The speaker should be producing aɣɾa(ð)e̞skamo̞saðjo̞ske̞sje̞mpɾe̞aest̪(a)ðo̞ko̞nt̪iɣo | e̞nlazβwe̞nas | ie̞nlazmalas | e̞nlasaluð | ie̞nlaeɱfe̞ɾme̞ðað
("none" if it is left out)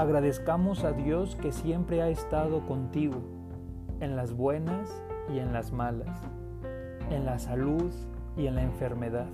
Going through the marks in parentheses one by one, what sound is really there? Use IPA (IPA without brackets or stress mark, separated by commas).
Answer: ð, a